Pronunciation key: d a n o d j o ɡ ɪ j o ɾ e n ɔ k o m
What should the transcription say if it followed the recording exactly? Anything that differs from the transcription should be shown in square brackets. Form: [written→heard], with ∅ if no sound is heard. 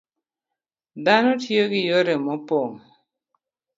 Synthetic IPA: d a n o [d→t] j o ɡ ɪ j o ɾ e [n→m] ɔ [k→p] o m

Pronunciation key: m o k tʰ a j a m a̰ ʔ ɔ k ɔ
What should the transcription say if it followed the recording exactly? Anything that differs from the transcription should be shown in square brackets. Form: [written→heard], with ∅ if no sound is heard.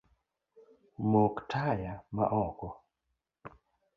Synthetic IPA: m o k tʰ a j a m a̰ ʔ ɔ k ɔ

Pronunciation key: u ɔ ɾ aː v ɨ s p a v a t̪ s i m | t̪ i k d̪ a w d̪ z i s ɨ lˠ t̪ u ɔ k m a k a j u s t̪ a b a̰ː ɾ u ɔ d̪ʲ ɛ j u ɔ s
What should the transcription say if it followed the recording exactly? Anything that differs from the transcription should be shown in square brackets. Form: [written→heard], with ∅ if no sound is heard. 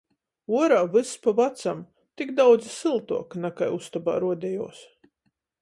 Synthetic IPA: u ɔ ɾ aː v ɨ s p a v a t̪ s [i→a] m | t̪ i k d̪ a w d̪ z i s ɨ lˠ t̪ u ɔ k [m→n] a k a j u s t̪ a b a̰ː ɾ u ɔ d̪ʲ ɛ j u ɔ s

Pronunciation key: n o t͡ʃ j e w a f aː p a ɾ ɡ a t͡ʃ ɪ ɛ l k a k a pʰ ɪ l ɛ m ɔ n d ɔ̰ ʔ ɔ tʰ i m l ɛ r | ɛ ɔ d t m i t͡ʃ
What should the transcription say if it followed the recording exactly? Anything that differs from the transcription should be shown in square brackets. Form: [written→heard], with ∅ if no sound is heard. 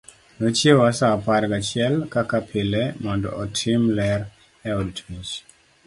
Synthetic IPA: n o t͡ʃ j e w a [f→s] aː p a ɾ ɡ a t͡ʃ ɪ ɛ l k a k a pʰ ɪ l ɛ m ɔ n d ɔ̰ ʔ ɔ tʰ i m l ɛ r | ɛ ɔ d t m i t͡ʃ

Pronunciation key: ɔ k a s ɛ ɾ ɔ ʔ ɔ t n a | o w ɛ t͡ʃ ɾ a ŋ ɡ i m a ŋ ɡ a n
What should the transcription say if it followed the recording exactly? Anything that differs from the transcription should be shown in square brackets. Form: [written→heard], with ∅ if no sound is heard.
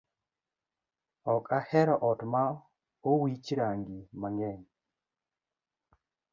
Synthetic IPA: ɔ k a [s→h] ɛ ɾ ɔ ʔ ɔ t [n→m] a | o w [ɛ→i] t͡ʃ ɾ a ŋ ɡ i m a ŋ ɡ [a→ɛ] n

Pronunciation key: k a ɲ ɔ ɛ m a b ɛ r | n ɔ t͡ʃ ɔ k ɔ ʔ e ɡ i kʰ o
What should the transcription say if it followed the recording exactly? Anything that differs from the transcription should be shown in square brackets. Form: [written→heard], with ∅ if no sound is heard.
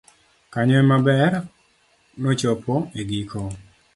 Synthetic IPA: k a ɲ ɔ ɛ m a b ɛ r | n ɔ t͡ʃ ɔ [k→p] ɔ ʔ e ɡ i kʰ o

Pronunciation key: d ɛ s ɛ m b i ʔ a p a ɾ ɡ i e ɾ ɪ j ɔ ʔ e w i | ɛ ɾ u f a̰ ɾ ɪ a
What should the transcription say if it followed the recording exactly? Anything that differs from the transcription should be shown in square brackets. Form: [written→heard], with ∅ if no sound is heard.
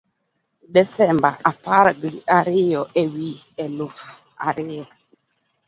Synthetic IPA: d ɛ s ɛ m b [i→a] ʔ a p a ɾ ɡ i [e→a] ɾ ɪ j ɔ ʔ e w i | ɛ [ɾ→l] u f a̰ ɾ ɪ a

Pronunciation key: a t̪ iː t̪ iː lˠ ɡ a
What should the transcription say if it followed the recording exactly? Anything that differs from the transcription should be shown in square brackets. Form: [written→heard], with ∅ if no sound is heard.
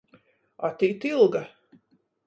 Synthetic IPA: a t̪ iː t̪ [iː→i] lˠ ɡ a

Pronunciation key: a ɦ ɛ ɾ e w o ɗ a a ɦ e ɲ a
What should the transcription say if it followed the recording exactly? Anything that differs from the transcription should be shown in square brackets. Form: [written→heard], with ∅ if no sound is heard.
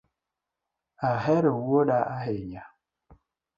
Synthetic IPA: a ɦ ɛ ɾ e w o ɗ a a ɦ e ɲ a

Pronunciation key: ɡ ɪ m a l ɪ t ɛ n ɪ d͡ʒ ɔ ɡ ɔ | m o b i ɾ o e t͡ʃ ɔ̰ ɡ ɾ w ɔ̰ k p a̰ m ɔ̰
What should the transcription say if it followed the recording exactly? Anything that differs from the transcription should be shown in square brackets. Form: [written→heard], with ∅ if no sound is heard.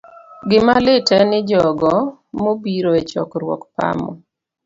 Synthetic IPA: ɡ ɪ m a l ɪ t ɛ n ɪ d͡ʒ ɔ ɡ ɔ | m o b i ɾ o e t͡ʃ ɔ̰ [ɡ→k] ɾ w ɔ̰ k p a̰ m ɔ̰

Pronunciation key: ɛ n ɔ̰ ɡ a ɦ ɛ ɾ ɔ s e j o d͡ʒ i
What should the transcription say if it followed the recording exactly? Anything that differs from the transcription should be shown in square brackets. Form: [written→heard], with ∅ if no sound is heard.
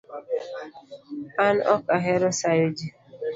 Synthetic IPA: [ɛ→a] n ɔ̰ [ɡ→k] a ɦ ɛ ɾ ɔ s [e→a] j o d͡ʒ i

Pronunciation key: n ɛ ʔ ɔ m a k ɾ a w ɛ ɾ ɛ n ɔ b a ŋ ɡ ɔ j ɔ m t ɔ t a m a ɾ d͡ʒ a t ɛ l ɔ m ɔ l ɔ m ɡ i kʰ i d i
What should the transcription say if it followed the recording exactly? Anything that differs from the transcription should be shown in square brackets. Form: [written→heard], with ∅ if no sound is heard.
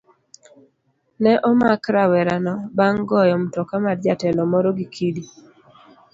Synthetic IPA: n ɛ ʔ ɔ m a k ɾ a w ɛ ɾ [ɛ→a] n ɔ b a ŋ ɡ ɔ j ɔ m t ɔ [t→k] a m a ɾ d͡ʒ a t ɛ l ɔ m ɔ [l→ɾ] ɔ [m→∅] ɡ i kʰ i d i

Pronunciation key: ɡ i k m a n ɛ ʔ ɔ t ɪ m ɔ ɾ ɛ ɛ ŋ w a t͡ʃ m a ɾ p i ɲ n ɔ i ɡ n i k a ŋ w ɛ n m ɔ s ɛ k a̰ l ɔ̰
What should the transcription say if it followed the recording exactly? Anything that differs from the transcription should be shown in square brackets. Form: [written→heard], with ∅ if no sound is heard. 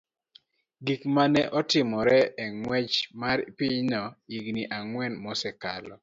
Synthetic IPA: ɡ i k m a n ɛ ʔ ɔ t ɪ m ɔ ɾ ɛ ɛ ŋ w [a→ɛ] t͡ʃ m a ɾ p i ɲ n ɔ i ɡ n i [k→ʔ] a ŋ w ɛ n m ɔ s ɛ k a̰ l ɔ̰

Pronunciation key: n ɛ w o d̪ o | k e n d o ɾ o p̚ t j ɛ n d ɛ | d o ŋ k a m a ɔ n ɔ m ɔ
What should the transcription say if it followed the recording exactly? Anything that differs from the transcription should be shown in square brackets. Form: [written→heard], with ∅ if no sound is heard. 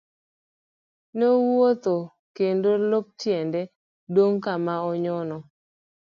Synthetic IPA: n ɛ w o [d̪→t̪] o | k e n d o [ɾ→l] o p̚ t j ɛ n d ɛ | d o ŋ k a m a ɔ [n→ɲ] ɔ [m→n] ɔ

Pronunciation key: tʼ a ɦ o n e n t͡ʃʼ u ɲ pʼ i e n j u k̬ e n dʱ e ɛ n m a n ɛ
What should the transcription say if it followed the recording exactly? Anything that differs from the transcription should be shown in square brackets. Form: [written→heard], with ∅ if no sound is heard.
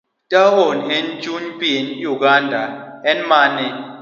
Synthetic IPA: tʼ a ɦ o n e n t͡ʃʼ u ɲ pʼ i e n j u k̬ [e→a] n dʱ [e→a] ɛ n m a n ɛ

